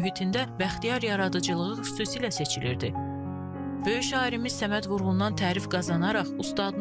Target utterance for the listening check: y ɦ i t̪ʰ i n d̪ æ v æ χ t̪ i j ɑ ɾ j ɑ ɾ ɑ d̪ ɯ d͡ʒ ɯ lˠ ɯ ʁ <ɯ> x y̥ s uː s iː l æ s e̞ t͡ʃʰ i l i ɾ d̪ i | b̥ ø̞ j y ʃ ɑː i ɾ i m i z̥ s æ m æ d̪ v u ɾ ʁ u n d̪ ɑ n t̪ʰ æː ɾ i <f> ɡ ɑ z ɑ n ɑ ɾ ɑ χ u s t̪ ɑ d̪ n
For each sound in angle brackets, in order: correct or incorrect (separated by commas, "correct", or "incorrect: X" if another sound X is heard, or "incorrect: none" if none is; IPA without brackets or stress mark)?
correct, correct